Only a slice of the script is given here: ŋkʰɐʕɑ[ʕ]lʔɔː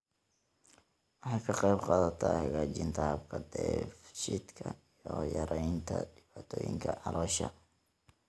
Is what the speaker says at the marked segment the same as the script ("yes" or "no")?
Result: no